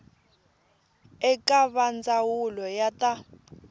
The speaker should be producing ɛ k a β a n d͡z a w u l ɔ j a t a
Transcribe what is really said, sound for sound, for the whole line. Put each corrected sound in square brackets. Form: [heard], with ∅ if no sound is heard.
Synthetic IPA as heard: ɛ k a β a n d͡z a w u l ɔ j a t a